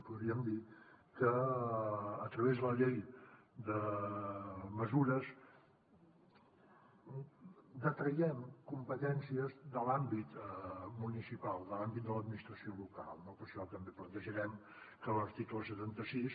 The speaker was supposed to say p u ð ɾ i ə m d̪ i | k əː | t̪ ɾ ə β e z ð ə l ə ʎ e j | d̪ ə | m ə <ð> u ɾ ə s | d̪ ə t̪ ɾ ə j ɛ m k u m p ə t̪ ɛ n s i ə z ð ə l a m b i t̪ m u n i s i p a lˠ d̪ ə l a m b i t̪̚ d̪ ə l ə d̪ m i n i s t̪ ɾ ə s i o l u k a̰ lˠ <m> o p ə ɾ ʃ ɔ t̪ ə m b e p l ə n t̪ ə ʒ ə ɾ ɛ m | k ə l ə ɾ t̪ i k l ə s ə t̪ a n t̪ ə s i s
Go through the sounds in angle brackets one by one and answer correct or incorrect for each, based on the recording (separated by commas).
incorrect, incorrect